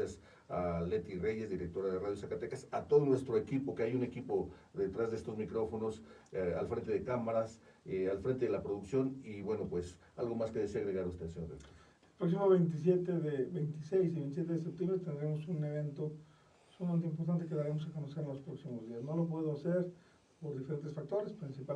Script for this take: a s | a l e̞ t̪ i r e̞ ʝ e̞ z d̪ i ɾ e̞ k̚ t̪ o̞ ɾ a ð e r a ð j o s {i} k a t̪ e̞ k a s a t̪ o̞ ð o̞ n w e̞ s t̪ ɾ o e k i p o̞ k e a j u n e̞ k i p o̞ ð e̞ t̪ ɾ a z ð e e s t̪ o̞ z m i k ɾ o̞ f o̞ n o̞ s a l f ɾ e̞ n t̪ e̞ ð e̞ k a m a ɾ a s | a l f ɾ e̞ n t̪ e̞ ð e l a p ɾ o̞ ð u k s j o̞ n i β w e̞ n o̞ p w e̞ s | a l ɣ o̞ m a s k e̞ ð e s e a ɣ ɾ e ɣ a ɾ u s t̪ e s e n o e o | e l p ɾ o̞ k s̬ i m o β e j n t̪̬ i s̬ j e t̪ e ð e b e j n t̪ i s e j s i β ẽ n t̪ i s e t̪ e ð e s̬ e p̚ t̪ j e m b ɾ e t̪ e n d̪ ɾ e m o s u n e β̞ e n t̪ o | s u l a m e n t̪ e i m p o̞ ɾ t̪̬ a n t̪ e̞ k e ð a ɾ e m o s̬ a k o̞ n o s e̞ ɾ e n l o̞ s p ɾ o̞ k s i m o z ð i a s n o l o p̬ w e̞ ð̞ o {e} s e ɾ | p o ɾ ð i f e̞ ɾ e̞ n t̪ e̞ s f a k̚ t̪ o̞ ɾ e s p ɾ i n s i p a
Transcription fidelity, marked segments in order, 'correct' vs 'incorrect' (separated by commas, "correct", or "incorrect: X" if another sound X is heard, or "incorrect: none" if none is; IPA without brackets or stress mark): incorrect: a, incorrect: a